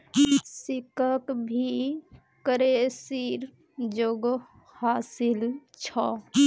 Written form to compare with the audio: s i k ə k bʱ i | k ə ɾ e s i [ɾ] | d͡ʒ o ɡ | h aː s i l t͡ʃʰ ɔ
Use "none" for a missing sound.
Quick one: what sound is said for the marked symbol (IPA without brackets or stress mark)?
ɾ